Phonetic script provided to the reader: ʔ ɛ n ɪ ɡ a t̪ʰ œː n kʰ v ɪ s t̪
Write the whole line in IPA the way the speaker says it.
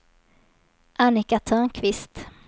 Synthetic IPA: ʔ a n ɪ k a t̪ʰ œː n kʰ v ɪ s t̪